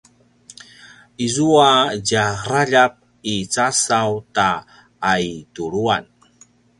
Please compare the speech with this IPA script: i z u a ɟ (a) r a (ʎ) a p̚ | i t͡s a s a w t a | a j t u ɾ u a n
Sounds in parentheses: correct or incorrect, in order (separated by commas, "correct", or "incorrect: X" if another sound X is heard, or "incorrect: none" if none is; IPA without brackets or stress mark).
correct, correct